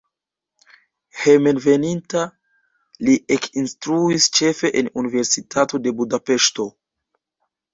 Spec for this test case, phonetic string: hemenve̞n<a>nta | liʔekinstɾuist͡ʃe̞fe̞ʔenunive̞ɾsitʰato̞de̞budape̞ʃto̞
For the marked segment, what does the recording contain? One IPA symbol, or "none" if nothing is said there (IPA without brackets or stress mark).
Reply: i